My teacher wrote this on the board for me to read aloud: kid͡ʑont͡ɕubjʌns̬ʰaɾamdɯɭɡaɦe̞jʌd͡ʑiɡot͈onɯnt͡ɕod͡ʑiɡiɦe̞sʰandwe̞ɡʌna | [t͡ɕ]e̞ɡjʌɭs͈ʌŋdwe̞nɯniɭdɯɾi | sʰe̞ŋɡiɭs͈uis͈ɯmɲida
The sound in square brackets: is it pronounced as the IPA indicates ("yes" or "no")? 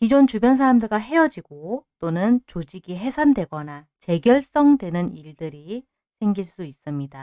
yes